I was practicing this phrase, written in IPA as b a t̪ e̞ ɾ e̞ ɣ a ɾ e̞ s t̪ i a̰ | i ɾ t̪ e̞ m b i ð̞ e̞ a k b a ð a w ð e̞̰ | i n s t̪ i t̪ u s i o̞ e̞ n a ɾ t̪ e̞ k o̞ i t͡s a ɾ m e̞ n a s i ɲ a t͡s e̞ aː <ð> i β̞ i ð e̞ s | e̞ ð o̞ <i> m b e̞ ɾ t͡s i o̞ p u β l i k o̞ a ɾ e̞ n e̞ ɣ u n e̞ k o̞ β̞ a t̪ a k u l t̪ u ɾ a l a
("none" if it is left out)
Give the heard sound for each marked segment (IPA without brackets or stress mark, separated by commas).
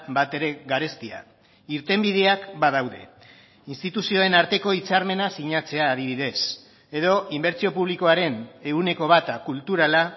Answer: ð, i